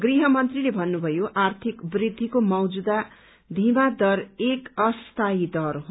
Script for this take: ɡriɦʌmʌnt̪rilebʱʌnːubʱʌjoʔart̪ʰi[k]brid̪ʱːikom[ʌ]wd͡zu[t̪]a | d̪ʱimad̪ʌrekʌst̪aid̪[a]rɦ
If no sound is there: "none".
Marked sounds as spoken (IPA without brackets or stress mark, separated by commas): k, ʌ, d̪, ʌ